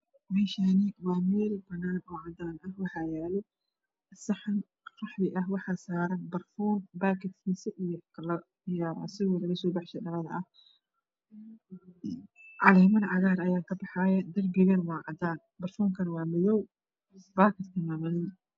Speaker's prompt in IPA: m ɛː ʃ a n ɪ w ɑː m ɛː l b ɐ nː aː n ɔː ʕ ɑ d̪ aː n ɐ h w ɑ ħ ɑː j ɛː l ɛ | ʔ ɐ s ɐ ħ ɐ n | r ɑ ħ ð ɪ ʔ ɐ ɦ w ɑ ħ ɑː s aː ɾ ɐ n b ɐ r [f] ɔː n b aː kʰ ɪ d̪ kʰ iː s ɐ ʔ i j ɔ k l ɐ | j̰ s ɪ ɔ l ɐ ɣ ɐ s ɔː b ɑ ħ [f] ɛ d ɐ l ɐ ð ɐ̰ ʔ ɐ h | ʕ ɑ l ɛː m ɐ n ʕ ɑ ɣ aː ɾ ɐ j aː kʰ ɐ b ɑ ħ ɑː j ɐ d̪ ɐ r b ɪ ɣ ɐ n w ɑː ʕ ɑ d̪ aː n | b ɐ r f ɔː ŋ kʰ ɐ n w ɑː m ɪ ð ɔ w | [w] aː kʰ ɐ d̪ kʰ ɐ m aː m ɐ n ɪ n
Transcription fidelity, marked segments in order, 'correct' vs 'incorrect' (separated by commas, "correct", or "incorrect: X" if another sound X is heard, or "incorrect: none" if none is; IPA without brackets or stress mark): correct, incorrect: ʃ, incorrect: b